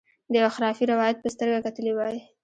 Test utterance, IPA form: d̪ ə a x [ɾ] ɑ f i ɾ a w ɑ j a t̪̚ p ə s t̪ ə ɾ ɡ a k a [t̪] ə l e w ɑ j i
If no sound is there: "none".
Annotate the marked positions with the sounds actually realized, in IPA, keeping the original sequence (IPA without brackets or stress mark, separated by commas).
ɾ, t̪